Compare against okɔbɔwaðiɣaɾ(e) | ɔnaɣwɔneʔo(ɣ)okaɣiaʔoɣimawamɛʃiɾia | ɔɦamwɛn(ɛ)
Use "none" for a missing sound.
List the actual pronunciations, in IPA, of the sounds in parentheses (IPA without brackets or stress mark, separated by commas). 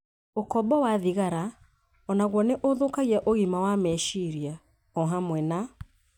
a, ð, a